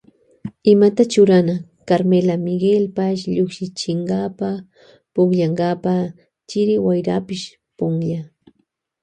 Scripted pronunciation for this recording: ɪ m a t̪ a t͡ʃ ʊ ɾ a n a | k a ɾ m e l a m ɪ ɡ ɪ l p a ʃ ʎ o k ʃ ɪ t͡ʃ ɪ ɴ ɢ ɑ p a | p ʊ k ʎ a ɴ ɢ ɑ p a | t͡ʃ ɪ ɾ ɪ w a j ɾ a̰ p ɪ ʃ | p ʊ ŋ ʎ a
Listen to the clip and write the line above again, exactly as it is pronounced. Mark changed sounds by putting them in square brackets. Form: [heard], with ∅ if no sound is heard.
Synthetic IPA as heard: ɪ m a t̪ a t͡ʃ ʊ ɾ a n a | k a ɾ m e l a m ɪ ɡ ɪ l p a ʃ ʎ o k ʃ ɪ t͡ʃ ɪ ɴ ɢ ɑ p a | p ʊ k ʎ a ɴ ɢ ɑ p a | t͡ʃ ɪ ɾ ɪ w a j ɾ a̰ p ɪ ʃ | p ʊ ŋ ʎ a